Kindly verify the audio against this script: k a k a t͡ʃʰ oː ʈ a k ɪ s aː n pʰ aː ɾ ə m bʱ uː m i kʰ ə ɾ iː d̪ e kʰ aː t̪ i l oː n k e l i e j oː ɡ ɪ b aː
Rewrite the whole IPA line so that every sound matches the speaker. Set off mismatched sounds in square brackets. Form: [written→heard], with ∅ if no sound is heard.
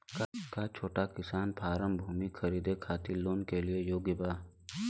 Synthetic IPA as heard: k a k a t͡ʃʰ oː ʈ a k ɪ s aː n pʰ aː ɾ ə m bʱ uː m i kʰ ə ɾ iː d̪ e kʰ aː t̪ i l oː n k e l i e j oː ɡ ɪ b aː